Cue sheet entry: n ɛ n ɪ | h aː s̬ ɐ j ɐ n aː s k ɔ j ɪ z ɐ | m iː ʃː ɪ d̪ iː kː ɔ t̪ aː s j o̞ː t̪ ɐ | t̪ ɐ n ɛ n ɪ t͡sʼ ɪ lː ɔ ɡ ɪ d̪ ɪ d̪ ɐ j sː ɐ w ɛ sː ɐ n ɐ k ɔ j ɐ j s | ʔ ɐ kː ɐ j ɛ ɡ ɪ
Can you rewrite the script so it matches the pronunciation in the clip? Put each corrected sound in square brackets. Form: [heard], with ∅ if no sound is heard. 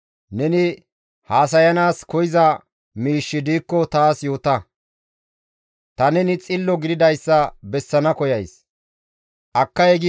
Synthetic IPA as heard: n ɛ n ɪ | h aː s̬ ɐ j ɐ n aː s k ɔ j ɪ z ɐ | m iː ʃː ɪ d̪ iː kː ɔ t̪ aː s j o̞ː t̪ ɐ | t̪ ɐ n ɛ n ɪ t͡sʼ ɪ lː ɔ ɡ ɪ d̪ ɪ d̪ ɐ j sː ɐ [b] ɛ sː ɐ n ɐ k ɔ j ɐ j s | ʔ ɐ kː ɐ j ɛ ɡ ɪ